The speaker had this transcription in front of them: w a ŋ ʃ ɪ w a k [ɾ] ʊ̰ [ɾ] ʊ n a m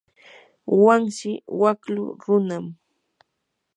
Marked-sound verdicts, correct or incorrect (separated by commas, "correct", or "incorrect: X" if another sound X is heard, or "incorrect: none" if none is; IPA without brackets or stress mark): incorrect: l, correct